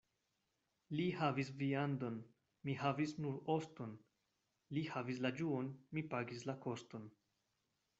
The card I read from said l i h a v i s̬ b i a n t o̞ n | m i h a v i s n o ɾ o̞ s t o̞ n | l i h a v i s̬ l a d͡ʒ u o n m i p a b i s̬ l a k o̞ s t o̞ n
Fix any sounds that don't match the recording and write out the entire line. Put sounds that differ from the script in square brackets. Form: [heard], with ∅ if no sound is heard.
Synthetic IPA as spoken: l i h a v i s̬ [v] i a n [d] o̞ n | m i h a v i s n [u] ɾ o̞ s t o̞ n | l i h a v i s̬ l a d͡ʒ u o n m i p a [ɡ] i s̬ l a k o̞ s t o̞ n